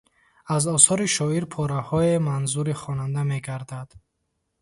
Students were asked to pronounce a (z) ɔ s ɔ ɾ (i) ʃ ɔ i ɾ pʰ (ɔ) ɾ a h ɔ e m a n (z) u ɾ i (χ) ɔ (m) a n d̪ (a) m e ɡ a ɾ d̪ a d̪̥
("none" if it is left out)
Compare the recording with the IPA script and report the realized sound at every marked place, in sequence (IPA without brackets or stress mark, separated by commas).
z, i, ɔ, z, χ, n, a